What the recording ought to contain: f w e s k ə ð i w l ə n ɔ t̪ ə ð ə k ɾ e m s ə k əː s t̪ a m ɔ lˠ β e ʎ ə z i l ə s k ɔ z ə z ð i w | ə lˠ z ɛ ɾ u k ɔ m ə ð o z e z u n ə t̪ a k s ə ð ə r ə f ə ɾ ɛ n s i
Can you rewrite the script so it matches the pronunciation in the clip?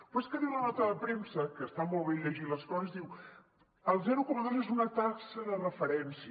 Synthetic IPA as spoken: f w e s k ə ð i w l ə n ɔ t̪ ə ð ə p ɾ e m s ə k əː s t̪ a m ɔ lˠ β e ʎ ə ʒ i l ə s k ɔ z ə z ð i w | ə lˠ z ɛ ɾ u k ɔ m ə ð o z e z u n ə t̪ a k s ə ð ə r ə f ə ɾ ɛ n s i

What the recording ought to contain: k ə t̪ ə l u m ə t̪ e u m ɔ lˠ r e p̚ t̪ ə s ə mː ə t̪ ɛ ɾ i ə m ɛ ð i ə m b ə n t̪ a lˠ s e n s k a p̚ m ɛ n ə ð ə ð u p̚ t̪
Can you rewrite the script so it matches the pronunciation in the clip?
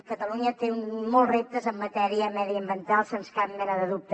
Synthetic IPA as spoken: k ə t̪ ə l u ɲ ə t̪ e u m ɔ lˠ r e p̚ t̪ ə z ə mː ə t̪ ɛ ɾ i ə m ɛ ð i ə m b ə n t̪ a lˠ s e n s k a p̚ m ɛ n ə ð ə ð u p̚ t̪

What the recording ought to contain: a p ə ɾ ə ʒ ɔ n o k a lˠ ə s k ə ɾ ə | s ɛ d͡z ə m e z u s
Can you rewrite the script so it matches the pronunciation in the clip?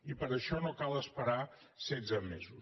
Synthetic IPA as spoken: i p ə ɾ ə ʃ ɔ n o k a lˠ ə s p ə ɾ a | s ɛ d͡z ə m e z u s

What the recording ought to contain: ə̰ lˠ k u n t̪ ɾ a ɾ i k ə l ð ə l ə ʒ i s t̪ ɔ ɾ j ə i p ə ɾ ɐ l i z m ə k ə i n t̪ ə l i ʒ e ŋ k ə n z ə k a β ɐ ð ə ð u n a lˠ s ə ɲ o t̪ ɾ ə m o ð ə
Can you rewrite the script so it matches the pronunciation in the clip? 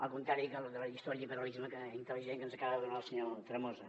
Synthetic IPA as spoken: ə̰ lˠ k u n t̪ ɾ a ɾ i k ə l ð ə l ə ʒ i s t̪ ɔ ɾ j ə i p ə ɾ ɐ l i z m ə k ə i n t̪ ə l i ʒ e ŋ k ə n z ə k a β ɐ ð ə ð u n a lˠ s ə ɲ o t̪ ɾ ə m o z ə

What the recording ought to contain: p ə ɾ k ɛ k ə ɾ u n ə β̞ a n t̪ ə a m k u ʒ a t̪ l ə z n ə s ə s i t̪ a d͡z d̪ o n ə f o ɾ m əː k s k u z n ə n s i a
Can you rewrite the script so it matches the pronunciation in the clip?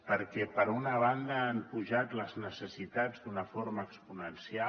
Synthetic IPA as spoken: p ə ɾ k ɛ p ə ɾ u n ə β̞ a n d̪ ə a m p u ʒ a t̪ l ə z n ə s ə s i t̪ a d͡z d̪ u n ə f o ɾ m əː k s p u n ə n s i a

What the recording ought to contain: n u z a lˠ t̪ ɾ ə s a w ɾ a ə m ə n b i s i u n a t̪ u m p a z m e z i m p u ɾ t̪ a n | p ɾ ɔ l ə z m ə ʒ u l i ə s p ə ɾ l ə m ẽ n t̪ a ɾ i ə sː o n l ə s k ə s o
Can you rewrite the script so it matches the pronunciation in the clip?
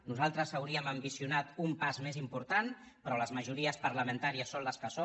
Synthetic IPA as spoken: n u z a lˠ t̪ ɾ ə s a w ɾ i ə m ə m b i s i u n a t̪ u m p a z m e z i m p u ɾ t̪ a n | p ɾ ɔ l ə z m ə ʒ u ɾ i ə s p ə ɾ l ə m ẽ n t̪ a ɾ i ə sː o n l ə s k ə s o

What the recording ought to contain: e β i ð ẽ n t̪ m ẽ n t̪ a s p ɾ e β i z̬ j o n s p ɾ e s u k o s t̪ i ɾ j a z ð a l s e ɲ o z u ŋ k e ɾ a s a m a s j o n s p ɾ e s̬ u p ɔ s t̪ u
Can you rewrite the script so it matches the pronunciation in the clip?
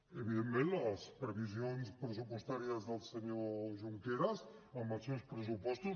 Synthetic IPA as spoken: e β i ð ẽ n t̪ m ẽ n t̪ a s p ɾ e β i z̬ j o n s p ɾ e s u p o s t̪ a ɾ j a z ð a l s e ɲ o ʒ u ŋ k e ɾ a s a m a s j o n s p ɾ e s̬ u p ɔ s t̪ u

